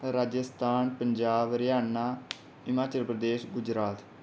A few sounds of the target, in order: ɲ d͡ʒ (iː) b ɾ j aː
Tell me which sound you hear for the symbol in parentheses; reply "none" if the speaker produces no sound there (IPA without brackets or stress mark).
aː